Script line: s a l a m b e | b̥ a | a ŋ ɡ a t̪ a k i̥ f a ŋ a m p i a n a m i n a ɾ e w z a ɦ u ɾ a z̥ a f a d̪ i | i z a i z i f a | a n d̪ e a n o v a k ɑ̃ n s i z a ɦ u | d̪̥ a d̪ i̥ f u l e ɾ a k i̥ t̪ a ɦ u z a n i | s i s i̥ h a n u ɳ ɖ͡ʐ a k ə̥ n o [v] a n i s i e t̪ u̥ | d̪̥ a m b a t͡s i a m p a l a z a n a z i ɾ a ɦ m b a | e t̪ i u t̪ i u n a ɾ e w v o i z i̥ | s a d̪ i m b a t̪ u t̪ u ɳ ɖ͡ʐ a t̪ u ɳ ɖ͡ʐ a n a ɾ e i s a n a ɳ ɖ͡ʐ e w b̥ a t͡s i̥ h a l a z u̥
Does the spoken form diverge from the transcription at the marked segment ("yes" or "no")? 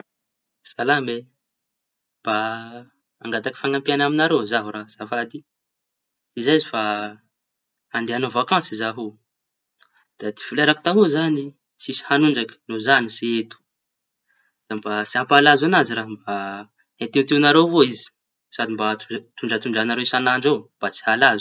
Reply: yes